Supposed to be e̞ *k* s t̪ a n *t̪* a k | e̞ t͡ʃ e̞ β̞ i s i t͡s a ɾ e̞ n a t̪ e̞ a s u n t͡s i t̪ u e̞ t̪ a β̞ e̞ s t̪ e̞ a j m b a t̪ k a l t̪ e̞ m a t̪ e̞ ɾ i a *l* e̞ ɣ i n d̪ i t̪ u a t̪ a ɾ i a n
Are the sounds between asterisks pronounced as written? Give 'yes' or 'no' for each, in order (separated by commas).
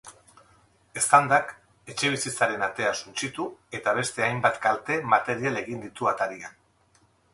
no, no, yes